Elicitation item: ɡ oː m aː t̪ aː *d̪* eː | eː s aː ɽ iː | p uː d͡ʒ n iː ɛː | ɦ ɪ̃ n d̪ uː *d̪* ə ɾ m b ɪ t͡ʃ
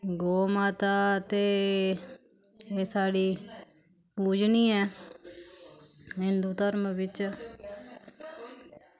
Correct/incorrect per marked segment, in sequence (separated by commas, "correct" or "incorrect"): incorrect, incorrect